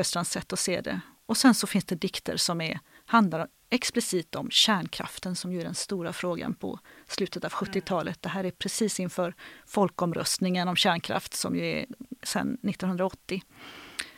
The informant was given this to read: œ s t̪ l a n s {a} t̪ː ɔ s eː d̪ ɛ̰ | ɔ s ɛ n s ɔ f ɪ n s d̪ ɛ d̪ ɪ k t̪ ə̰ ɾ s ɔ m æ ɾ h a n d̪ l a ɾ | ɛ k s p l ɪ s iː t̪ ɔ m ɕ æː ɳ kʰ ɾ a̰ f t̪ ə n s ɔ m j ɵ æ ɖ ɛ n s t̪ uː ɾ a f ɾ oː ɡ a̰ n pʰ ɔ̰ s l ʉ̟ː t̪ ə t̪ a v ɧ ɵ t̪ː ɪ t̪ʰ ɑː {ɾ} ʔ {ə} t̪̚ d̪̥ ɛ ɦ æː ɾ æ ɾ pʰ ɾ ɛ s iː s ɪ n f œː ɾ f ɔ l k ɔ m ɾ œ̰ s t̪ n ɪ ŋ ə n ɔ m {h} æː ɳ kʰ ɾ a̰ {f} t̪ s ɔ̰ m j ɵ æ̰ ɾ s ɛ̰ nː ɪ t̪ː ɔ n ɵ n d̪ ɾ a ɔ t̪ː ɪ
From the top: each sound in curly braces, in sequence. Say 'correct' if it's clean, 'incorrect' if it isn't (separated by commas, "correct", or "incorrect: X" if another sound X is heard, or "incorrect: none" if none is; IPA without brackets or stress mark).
incorrect: ɛ, incorrect: l, correct, incorrect: ɕ, correct